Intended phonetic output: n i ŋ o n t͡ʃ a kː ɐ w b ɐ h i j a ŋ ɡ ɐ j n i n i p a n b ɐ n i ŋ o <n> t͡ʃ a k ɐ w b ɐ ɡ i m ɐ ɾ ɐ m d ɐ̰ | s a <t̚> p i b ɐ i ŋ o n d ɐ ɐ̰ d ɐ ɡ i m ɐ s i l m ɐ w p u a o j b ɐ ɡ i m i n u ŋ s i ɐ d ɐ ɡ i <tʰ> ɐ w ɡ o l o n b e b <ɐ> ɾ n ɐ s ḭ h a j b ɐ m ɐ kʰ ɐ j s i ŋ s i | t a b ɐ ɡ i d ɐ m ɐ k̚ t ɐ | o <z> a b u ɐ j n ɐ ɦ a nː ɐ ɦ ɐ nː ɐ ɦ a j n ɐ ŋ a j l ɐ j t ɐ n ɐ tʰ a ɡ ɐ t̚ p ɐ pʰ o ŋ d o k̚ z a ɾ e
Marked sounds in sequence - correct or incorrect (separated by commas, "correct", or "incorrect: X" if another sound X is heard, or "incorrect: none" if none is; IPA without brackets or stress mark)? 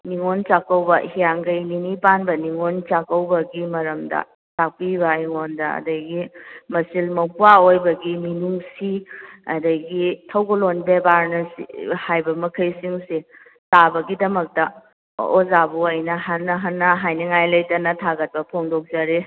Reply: correct, incorrect: k̚, correct, incorrect: a, correct